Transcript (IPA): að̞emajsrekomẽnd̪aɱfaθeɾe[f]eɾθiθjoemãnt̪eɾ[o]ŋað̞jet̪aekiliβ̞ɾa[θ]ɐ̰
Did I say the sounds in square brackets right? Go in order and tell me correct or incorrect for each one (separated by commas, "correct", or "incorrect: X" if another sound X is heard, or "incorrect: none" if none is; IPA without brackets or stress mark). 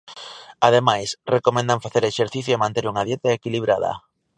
incorrect: ʃ, incorrect: u, incorrect: ð